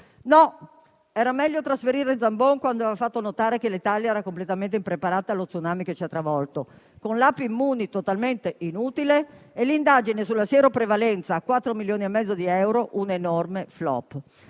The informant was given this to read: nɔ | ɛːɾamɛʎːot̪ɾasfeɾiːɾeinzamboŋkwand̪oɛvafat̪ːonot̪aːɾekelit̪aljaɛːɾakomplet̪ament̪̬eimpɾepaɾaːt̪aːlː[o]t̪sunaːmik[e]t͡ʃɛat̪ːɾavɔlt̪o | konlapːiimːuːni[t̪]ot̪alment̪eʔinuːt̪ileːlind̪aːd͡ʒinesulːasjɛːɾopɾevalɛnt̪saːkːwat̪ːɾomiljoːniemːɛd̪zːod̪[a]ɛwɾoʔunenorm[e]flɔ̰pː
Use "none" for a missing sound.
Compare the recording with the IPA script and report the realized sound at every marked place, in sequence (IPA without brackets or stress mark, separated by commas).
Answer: o, e, t̪, i, e